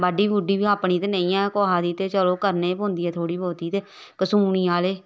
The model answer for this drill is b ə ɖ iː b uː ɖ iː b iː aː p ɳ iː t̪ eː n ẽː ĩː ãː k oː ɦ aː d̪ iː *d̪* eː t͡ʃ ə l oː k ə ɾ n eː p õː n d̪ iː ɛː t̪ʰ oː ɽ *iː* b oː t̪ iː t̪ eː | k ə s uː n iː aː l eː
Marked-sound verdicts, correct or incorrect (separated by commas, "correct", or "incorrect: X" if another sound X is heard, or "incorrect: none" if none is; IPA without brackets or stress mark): incorrect: t̪, correct